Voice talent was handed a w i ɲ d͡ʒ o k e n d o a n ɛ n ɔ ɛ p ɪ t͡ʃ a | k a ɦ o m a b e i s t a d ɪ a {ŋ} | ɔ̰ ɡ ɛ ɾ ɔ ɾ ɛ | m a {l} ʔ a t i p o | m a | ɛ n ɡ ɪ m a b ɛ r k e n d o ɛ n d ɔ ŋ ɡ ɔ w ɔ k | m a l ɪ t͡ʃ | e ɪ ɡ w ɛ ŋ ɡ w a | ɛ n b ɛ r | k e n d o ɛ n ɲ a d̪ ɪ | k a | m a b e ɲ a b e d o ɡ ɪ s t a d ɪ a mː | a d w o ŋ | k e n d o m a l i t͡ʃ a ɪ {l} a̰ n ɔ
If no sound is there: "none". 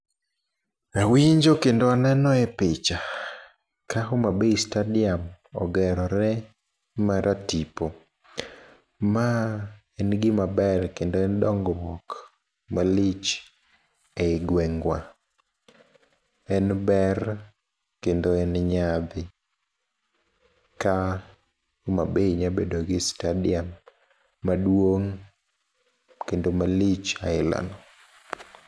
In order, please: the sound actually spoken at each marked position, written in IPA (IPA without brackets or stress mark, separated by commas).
m, ɾ, l